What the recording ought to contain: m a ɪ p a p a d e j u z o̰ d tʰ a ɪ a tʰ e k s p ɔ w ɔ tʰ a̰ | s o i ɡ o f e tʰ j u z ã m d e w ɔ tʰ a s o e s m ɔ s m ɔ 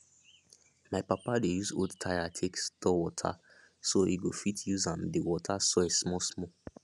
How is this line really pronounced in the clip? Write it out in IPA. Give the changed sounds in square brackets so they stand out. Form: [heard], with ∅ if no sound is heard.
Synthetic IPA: m a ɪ p a p a d e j u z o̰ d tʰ a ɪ a tʰ e k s [t] ɔ w ɔ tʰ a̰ | s o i ɡ o f [i] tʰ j u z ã m d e w ɔ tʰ a s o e s m ɔ s m ɔ